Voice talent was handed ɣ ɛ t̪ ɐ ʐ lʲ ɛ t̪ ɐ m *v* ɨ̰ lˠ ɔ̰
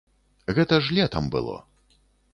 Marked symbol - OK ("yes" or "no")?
no